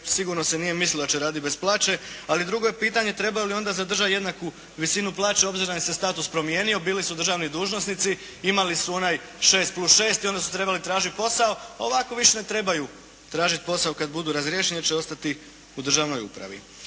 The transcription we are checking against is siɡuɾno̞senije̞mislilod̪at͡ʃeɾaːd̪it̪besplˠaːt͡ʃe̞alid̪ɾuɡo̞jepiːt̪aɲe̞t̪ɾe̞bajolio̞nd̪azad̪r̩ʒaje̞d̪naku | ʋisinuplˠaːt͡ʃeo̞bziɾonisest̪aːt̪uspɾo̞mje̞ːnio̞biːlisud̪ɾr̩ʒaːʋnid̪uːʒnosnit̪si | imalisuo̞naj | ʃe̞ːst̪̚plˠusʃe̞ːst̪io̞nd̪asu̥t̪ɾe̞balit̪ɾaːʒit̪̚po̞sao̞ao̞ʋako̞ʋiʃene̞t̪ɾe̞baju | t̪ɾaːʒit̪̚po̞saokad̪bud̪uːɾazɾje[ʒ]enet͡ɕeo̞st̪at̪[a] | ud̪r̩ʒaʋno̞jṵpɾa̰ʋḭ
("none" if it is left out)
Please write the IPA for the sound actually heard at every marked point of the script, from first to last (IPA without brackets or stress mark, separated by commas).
ʃ, i